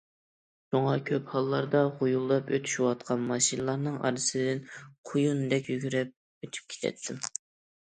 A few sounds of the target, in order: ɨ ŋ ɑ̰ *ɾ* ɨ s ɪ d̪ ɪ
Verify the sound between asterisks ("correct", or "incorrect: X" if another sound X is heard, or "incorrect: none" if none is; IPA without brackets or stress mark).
correct